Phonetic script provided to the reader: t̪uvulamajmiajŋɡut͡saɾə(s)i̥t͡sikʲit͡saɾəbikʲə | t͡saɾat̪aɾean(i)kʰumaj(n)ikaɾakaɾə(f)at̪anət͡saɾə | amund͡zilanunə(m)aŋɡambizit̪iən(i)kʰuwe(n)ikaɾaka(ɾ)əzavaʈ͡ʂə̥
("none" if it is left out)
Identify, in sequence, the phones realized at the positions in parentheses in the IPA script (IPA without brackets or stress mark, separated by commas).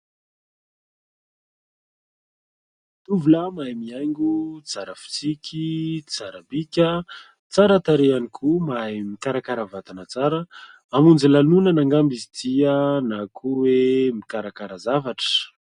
f, i, m, v, n, a, m, ɾ